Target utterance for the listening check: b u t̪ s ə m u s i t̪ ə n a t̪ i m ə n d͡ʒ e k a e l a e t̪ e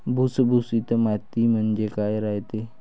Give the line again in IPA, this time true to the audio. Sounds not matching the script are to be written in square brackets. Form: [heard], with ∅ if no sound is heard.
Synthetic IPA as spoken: b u [∅] s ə [b] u s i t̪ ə [m] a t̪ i m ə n d͡ʒ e k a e [ɾ] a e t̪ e

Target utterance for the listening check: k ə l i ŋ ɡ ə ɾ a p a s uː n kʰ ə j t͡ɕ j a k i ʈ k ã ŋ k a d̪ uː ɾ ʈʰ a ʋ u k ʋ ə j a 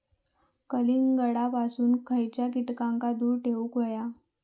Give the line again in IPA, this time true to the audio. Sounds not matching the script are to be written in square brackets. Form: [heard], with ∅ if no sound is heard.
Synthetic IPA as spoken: k ə l i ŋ ɡ ə [ɽ] a p a s uː n kʰ ə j t͡ɕ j a k i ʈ k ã ŋ k a d̪ uː ɾ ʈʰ [e] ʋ u k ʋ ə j a

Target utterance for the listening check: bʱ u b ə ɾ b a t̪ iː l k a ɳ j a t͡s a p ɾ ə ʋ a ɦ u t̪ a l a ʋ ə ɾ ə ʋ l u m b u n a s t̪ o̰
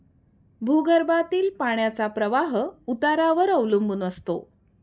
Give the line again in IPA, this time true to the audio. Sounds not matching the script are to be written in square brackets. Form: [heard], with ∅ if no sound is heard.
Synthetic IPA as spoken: bʱ u [ɡ] ə ɾ b a t̪ iː l [p] a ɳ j a t͡s a p ɾ ə ʋ a ɦ u t̪ a [ɾ] a ʋ ə ɾ ə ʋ l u m b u n [ə] s t̪ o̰

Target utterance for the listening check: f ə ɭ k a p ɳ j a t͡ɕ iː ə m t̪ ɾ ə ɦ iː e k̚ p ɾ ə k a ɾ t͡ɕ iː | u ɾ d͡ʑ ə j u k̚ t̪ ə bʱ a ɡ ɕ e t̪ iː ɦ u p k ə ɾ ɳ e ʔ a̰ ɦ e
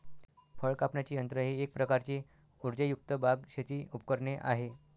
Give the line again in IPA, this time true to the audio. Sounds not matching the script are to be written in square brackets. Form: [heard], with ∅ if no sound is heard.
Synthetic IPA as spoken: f ə ɭ k a p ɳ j a t͡ɕ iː ə [n] t̪ ɾ ə ɦ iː e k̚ p ɾ ə k a ɾ t͡ɕ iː | u ɾ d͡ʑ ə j u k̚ t̪ ə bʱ a ɡ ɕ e t̪ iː [∅] u p k ə ɾ ɳ e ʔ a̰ ɦ e

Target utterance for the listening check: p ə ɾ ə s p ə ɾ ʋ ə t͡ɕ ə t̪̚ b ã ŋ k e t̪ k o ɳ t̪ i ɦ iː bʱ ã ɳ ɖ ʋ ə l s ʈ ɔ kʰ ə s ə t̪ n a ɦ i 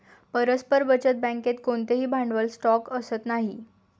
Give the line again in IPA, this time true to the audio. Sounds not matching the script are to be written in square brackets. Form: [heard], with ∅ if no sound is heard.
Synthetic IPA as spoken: p ə ɾ ə s p ə ɾ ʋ ə t͡ɕ ə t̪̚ b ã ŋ k e t̪ k o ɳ t̪ [e] ɦ iː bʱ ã ɳ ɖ ʋ ə l s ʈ ɔ [k] ə s ə t̪ n a ɦ i

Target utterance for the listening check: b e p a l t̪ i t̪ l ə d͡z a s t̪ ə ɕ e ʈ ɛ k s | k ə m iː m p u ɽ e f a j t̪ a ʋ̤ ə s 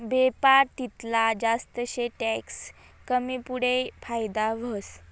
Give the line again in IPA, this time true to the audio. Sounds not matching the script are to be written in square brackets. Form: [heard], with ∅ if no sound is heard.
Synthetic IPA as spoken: b e p a [ɾ] t̪ i t̪ l [a] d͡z a s t̪ ə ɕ e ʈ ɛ k s | k ə m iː [∅] p u ɽ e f a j [d̪] a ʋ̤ ə s

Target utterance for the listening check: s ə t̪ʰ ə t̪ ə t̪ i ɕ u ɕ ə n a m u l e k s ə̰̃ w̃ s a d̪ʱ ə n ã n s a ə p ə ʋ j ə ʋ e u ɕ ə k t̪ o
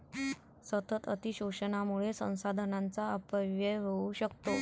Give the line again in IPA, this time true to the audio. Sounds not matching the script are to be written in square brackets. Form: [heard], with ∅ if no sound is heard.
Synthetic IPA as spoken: s ə [t̪] ə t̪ ə t̪ i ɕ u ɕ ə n a m u [ɭ] e [∅] s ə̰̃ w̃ s a d̪ʱ ə n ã n [t͡s] a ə p ə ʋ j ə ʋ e u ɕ ə k t̪ o

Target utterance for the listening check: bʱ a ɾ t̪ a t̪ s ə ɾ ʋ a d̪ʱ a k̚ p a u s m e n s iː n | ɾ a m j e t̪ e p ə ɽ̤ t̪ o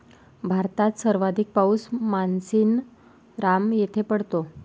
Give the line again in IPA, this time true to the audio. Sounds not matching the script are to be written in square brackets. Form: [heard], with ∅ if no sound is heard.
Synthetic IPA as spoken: bʱ a ɾ t̪ a t̪ s ə ɾ ʋ a d̪ʱ [i] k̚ p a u s m [a] n s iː n | ɾ a m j e [t̪ʰ] e p ə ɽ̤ t̪ o

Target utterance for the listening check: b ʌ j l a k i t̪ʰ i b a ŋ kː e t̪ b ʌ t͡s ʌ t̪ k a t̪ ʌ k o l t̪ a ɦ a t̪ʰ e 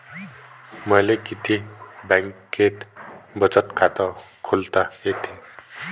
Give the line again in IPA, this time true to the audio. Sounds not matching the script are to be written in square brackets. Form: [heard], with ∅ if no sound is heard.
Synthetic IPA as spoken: [m] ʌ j l [e] k i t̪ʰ i b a ŋ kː e t̪ b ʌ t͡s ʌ t̪ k a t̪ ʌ [kʰ] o l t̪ a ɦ [e] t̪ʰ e

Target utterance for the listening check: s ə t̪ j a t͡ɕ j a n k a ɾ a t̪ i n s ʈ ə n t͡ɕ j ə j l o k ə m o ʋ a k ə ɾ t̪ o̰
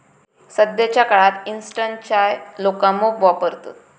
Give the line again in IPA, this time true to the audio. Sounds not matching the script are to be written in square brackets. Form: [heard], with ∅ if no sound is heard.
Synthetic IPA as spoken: s ə [d̪] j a t͡ɕ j a [∅] k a [ɭ] a t̪ i n s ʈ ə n t͡ɕ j [a] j l o k [a] m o ʋ a [p] ə ɾ t̪ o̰

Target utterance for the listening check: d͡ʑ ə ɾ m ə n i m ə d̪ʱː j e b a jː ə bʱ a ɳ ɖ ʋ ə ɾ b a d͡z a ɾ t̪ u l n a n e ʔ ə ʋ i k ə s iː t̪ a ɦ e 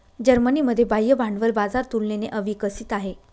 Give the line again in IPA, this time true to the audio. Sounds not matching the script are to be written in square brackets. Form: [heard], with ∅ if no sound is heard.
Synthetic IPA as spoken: d͡ʑ ə ɾ m ə n i m ə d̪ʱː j e b a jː ə bʱ a ɳ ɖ ʋ ə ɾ b a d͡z a ɾ t̪ u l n [e] n e ʔ ə ʋ i k ə s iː t̪ a ɦ e

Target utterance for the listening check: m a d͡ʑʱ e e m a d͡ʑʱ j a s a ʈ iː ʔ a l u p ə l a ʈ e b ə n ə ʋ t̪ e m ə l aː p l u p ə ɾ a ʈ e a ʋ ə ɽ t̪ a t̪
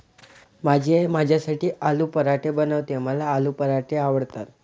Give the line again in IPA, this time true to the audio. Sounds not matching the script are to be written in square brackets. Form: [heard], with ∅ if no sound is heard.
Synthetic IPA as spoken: m a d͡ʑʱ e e m a d͡ʑʱ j a s a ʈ iː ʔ a l u p ə [ɾ] a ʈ e b ə n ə ʋ t̪ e m ə l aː [∅] l u p ə ɾ a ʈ e a ʋ ə ɽ t̪ a t̪

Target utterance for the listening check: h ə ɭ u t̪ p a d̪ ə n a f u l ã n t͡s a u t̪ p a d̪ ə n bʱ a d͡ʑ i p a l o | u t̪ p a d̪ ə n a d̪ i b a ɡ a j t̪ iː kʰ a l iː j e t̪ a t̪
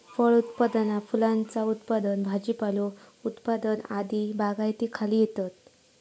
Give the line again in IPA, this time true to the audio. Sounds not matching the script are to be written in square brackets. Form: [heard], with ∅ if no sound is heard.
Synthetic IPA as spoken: [f] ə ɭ u t̪ p a d̪ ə n a f u l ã n t͡s a u t̪ p a d̪ ə n bʱ a d͡ʑ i p a l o | u t̪ p a d̪ ə n a d̪ i b a ɡ a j t̪ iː kʰ a l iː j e t̪ a t̪

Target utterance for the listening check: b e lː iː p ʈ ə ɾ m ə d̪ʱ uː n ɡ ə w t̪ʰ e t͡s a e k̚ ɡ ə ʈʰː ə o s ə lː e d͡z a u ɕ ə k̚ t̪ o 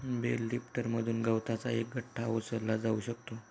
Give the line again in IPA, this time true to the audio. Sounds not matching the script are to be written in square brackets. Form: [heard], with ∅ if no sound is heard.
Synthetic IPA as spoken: b e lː [i] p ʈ ə ɾ m ə d̪ʱ uː n ɡ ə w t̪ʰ [a] t͡s a e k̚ ɡ ə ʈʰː [a] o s ə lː [a] d͡z a u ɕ ə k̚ t̪ o

